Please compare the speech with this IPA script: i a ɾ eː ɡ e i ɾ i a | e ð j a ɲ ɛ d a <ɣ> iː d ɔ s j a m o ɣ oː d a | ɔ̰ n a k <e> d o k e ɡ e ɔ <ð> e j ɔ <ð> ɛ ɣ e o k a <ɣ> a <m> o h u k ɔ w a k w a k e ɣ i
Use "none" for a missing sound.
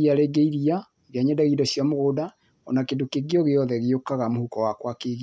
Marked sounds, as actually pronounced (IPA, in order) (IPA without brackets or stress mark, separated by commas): ɣ, e, ɣ, ð, ɣ, m